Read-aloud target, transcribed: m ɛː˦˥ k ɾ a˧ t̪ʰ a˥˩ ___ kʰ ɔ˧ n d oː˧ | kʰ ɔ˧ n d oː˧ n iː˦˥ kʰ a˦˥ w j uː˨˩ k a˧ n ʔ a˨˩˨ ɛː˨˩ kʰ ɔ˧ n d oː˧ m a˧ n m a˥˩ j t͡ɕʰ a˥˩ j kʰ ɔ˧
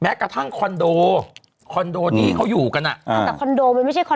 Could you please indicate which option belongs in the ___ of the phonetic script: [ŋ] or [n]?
ŋ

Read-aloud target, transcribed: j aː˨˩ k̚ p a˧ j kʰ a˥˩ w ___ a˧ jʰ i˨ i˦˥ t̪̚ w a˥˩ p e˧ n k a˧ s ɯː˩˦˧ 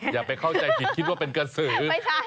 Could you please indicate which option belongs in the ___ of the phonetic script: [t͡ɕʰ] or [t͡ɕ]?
t͡ɕ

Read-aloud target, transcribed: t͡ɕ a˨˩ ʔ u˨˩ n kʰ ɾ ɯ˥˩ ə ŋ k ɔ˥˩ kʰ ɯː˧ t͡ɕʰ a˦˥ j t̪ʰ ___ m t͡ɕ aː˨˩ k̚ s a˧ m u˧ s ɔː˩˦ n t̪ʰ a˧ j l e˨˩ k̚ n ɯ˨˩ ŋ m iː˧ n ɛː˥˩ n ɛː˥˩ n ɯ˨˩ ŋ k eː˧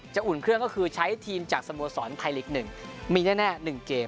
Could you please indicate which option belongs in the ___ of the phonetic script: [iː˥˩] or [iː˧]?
iː˧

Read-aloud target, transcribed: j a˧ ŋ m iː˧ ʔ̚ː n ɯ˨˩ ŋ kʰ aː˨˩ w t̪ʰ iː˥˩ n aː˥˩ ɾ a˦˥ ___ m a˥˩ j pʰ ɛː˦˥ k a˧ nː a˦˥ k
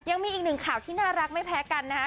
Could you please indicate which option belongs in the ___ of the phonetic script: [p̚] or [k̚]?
k̚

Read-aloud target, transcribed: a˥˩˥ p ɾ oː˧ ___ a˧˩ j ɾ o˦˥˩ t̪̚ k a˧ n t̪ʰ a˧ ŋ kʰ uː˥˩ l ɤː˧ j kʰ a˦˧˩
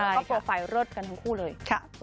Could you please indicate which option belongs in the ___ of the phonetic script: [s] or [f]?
f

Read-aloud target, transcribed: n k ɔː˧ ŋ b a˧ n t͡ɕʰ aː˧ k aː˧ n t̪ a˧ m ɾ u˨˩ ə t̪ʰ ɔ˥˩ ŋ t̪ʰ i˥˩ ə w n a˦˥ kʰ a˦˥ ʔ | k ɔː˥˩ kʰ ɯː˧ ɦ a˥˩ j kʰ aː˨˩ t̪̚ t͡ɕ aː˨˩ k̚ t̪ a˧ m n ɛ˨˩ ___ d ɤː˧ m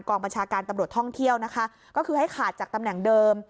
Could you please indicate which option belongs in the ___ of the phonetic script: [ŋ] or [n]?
ŋ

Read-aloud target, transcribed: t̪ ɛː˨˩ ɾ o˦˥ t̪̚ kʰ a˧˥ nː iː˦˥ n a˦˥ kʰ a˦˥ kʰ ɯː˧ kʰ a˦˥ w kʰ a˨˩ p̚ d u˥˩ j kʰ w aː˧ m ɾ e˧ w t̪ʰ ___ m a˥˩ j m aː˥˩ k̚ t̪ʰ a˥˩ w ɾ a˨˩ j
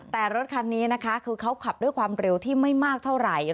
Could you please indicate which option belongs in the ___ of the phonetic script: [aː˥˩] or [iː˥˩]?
iː˥˩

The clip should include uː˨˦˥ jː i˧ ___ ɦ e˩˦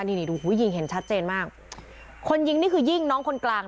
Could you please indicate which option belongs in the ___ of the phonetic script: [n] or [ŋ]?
ŋ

